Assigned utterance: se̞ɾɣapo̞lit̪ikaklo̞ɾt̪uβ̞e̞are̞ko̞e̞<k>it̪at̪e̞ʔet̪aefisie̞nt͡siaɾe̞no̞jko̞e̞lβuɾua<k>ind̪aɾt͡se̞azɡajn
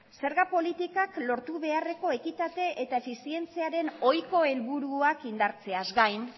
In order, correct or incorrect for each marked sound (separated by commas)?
correct, correct